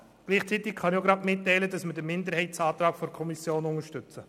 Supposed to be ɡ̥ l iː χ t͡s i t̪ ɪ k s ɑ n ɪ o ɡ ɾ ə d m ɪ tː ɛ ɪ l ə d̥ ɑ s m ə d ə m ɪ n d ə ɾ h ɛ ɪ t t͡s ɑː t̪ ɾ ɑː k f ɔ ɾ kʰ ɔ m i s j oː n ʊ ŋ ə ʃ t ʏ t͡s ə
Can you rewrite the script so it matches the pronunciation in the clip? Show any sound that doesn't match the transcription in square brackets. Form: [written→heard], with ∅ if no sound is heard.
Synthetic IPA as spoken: ɡ̥ l iː χ t͡s i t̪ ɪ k [s→χ] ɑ n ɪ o ɡ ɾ [ə→ɑ] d m ɪ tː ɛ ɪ l ə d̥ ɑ s m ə d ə m ɪ n d ə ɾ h ɛ ɪ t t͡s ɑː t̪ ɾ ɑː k f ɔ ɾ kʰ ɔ m i s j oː n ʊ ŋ ə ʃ t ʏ t͡s ə